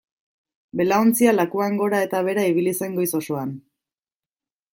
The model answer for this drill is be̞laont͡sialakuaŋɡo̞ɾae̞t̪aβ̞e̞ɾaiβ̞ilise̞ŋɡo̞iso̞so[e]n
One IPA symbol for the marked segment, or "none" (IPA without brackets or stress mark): a